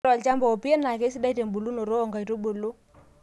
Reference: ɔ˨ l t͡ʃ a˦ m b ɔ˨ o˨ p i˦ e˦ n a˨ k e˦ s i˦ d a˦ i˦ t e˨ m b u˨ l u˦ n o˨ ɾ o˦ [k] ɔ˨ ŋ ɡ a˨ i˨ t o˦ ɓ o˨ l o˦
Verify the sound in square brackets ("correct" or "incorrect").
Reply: incorrect